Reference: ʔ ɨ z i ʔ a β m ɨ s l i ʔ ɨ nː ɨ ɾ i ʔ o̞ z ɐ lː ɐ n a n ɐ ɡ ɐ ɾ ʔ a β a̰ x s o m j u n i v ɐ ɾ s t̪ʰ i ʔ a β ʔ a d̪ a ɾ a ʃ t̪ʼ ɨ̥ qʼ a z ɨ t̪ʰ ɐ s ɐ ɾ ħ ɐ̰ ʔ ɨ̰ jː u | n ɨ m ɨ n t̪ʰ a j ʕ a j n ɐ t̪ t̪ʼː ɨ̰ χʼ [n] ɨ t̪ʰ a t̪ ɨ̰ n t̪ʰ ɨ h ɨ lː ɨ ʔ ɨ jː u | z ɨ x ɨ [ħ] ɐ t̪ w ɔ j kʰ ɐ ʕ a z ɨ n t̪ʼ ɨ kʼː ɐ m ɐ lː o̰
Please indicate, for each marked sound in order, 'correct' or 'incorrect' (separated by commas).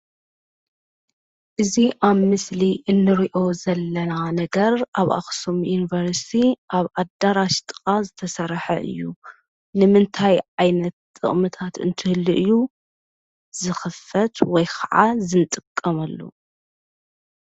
incorrect, incorrect